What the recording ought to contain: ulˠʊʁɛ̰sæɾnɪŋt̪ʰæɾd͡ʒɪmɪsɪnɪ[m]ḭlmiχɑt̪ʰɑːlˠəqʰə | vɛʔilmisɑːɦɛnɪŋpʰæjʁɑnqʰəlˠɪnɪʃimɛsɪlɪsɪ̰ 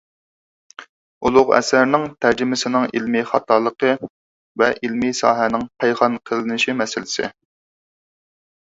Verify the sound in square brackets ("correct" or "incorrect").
incorrect